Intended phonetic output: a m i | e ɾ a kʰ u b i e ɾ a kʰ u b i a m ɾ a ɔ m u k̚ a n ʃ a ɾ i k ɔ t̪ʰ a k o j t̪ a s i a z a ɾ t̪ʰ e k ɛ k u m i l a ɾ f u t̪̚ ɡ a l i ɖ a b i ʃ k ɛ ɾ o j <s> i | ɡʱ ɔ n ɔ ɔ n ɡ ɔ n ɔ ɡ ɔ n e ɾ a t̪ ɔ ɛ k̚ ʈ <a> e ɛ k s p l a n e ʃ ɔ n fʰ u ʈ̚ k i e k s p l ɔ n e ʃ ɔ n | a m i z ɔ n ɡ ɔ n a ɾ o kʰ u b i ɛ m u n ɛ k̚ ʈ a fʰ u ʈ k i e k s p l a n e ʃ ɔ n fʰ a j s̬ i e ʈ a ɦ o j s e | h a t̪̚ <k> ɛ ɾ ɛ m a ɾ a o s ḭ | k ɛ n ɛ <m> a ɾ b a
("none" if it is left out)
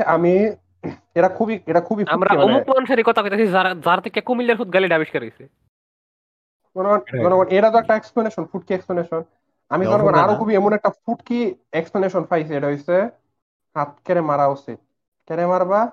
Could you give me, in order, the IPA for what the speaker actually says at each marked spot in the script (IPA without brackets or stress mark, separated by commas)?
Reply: s, a, k, m